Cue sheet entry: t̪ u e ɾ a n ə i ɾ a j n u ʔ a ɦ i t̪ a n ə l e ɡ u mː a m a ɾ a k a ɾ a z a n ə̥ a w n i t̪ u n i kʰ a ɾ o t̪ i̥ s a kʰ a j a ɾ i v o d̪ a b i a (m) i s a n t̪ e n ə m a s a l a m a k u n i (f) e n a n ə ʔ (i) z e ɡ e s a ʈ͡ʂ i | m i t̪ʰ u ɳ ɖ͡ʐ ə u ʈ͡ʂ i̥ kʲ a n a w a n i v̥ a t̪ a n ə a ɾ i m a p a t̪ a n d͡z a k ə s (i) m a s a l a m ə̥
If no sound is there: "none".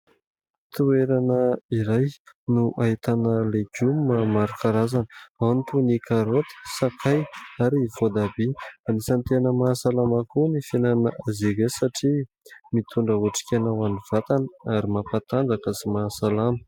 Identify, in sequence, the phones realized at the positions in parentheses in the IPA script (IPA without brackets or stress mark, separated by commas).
n, f, a, i